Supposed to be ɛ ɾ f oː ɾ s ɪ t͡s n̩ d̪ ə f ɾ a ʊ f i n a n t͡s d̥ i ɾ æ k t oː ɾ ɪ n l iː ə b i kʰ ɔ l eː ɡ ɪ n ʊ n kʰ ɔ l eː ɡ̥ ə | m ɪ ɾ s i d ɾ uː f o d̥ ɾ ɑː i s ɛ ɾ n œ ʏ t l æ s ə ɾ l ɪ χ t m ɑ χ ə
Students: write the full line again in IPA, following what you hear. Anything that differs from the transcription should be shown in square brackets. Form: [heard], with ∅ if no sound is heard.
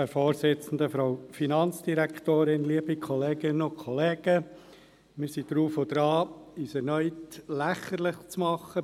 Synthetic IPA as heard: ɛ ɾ f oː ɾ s ɪ t͡s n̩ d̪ ə f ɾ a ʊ f i n [ɑ] n t͡s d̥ i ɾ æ k t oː ɾ ɪ n l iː ə b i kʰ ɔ l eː ɡ ɪ n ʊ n kʰ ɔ l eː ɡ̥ ə | m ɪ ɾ s i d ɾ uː f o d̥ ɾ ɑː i s ɛ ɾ n œ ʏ t l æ [χ] ə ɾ l ɪ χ [t͡s] m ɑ χ ə